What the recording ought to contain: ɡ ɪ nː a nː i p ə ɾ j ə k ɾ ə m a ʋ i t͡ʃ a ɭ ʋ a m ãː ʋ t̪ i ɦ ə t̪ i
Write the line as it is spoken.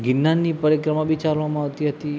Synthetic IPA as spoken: ɡ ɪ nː a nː i p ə ɾ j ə k ɾ ə m a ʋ i t͡ʃ a ɾ ʋ a m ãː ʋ t̪ i ɦ ə t̪ i